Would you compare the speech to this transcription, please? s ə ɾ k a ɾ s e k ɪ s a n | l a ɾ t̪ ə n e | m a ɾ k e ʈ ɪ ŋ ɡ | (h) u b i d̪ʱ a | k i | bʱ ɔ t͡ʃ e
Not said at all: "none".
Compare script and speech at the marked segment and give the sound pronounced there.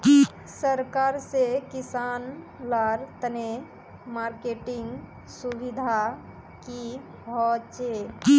s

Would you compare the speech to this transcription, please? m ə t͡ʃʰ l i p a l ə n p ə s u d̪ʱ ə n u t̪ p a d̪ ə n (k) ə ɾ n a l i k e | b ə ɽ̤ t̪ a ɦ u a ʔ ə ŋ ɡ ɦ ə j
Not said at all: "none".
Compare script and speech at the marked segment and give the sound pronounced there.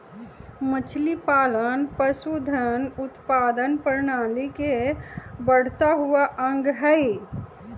p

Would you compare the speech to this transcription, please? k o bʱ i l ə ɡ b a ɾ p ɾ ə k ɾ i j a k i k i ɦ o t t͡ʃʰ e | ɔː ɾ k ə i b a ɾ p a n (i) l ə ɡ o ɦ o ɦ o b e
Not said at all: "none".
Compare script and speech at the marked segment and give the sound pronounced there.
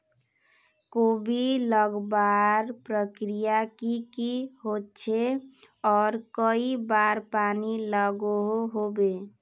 i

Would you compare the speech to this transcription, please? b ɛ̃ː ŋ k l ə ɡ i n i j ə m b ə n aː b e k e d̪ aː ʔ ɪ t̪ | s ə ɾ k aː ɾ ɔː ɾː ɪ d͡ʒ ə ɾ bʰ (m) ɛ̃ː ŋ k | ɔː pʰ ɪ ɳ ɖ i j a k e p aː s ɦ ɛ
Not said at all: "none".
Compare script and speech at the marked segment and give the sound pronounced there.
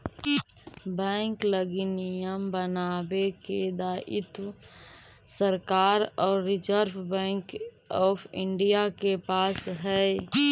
b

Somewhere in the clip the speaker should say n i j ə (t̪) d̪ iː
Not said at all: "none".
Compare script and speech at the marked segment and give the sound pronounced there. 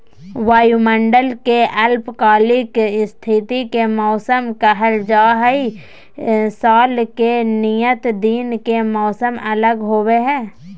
t̪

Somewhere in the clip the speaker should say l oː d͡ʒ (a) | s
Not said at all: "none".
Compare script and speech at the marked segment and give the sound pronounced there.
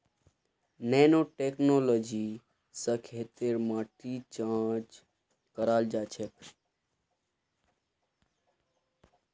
i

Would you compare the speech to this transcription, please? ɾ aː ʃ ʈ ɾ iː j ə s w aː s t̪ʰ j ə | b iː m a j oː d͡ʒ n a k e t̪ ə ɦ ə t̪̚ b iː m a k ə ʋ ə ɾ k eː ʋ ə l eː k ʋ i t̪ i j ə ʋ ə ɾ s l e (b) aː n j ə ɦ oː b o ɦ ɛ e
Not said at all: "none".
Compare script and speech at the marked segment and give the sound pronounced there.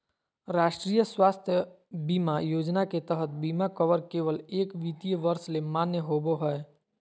m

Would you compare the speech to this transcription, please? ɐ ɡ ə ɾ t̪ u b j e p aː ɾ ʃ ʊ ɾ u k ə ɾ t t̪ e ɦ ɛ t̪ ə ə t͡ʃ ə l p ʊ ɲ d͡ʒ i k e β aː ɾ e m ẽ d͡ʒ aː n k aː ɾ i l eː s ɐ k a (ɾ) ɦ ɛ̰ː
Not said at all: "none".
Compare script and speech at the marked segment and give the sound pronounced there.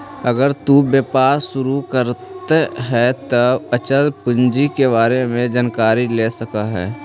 none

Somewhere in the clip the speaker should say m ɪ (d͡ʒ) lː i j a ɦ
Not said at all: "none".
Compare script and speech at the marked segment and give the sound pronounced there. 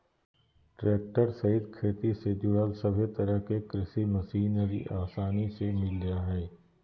none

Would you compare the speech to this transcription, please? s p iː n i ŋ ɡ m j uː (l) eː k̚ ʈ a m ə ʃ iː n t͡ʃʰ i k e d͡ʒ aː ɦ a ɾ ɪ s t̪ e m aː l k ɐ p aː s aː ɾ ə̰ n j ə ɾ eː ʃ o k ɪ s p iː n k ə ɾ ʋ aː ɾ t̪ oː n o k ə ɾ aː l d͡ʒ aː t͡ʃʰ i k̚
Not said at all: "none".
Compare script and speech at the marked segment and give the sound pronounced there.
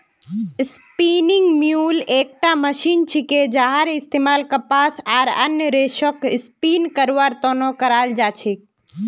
l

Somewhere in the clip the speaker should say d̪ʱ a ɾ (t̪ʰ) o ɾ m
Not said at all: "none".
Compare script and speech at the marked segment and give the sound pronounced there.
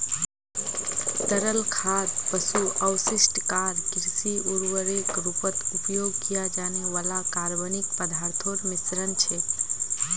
t̪ʰ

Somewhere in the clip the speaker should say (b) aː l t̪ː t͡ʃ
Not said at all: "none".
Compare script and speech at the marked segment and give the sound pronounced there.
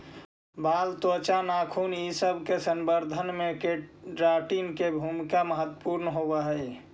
b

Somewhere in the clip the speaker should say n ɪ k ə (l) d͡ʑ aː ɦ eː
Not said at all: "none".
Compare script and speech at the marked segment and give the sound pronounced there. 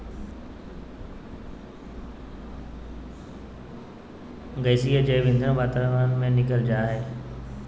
l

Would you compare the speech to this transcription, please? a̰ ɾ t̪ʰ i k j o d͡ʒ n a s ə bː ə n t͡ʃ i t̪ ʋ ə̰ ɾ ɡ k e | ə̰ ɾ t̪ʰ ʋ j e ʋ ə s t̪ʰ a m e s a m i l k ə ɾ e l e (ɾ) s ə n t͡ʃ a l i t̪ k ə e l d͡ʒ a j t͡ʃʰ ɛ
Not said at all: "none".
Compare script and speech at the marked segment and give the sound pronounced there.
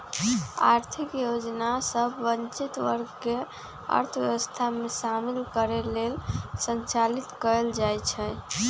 l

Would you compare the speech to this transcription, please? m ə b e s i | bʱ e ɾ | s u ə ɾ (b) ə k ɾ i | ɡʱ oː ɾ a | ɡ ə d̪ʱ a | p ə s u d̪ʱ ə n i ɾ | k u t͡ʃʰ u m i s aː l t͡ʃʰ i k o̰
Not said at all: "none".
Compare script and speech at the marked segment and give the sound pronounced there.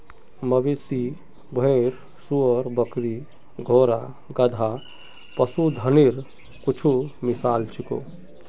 b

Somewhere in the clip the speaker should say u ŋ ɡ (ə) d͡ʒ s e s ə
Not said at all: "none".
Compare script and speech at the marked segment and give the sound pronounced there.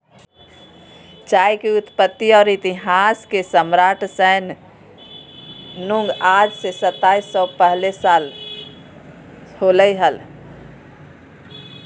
a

